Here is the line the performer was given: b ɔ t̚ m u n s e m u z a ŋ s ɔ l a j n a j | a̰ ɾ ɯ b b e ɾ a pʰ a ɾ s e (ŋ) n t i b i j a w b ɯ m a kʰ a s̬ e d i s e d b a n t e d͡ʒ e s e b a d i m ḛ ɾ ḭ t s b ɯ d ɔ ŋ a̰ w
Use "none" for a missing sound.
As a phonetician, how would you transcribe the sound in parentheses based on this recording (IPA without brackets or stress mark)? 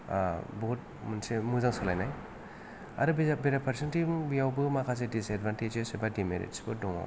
none